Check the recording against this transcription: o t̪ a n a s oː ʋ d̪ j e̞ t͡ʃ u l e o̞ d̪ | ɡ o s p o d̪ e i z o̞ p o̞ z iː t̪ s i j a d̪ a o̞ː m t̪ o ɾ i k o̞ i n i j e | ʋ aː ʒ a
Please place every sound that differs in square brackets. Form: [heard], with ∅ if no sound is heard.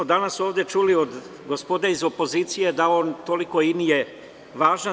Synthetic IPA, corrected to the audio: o [d̪] a n a s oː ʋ d̪ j e̞ t͡ʃ u l [i] o̞ d̪ | ɡ o s p o d̪ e i z o̞ p o̞ z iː t̪ s i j [e] d̪ a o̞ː [n] t̪ o [l] i k o̞ i n i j e | ʋ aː ʒ a